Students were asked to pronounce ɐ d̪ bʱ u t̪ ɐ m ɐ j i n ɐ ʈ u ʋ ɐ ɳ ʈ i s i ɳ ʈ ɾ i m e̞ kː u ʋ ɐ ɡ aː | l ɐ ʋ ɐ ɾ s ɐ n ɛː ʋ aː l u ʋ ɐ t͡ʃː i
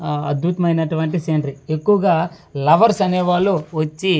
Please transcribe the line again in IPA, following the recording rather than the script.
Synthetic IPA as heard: ɐ d̪ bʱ u t̪ ɐ m ɐ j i n ɐ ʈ u ʋ ɐ ɳ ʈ i s e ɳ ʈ ɾ i e̞ kː u ʋ ɐ ɡ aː | l ɐ ʋ ɐ ɾ s ɐ n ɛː ʋ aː l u ʋ ɐ t͡ʃː i